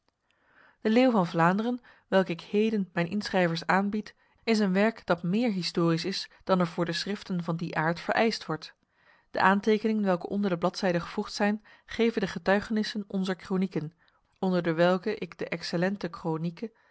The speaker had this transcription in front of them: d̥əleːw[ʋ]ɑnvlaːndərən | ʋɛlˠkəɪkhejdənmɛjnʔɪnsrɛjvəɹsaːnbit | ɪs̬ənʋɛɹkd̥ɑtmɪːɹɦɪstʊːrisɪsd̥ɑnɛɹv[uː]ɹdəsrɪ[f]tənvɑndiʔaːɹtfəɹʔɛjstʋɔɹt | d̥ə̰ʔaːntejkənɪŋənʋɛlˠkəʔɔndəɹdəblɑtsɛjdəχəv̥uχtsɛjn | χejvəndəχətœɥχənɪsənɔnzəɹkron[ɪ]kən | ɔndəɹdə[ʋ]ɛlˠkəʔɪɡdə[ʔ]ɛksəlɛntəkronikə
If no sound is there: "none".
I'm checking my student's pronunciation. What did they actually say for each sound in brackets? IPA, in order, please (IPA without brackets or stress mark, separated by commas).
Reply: v, ʊː, f, i, ʋ, ʔ